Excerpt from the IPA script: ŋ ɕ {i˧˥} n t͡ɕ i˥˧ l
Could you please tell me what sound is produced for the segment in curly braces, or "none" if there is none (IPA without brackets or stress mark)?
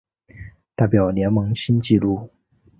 i˥